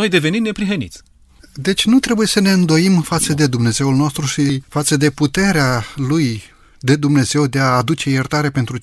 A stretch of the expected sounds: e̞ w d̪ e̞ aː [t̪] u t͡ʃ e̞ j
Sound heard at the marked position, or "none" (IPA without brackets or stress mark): d̪